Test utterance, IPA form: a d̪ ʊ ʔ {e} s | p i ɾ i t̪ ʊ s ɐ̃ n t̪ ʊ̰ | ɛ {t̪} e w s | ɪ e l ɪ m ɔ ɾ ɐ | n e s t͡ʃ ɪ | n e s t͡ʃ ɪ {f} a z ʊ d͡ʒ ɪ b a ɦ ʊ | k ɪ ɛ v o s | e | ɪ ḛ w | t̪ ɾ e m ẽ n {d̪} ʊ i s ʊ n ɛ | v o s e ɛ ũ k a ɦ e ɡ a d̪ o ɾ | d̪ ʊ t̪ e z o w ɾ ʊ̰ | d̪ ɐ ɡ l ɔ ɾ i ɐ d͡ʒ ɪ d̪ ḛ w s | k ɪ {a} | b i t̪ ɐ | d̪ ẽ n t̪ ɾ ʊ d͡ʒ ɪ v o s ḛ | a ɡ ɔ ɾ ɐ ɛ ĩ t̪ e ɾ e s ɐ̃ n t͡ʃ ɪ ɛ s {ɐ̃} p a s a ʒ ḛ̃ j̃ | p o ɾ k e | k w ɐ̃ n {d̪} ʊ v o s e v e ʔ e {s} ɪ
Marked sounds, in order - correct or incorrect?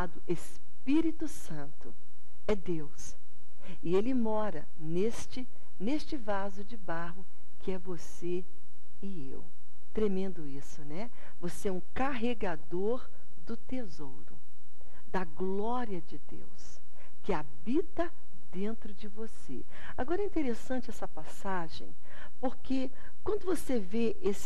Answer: correct, incorrect: d̪, incorrect: v, correct, correct, incorrect: ɐ, correct, correct

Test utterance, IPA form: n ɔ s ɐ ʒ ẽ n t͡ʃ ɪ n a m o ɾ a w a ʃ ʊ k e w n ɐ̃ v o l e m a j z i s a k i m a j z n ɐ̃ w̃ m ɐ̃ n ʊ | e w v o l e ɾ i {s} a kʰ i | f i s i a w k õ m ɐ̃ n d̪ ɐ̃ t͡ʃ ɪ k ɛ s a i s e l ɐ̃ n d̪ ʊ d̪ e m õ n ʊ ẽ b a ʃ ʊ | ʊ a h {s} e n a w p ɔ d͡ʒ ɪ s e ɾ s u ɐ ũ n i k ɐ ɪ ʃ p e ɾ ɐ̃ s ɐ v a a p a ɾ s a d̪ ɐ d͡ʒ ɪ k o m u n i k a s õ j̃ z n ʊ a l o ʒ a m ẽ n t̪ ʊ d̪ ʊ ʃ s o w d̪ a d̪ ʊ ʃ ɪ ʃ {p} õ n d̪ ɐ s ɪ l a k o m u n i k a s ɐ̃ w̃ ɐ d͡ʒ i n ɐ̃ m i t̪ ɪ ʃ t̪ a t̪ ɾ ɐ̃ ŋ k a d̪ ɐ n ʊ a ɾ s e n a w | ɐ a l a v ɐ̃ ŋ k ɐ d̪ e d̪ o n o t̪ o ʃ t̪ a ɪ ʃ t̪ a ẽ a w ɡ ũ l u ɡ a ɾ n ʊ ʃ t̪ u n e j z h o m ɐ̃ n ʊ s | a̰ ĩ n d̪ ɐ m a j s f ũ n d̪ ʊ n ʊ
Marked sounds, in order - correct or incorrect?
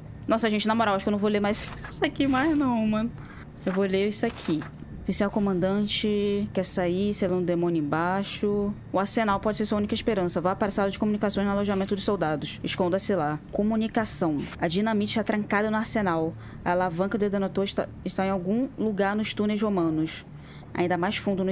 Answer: correct, correct, incorrect: k

